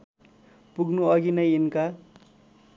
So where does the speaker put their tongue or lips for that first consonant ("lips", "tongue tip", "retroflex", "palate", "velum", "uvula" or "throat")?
lips